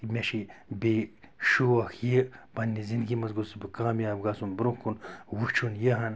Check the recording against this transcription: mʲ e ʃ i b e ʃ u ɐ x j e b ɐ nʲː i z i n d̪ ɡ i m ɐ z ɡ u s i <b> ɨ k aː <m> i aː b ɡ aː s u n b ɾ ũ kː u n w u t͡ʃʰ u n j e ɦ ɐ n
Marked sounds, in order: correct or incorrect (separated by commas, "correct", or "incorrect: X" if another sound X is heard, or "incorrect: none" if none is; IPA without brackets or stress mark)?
correct, correct